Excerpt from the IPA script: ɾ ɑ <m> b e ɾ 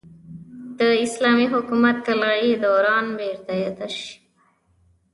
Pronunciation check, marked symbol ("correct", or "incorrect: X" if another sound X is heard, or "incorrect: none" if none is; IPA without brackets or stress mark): incorrect: n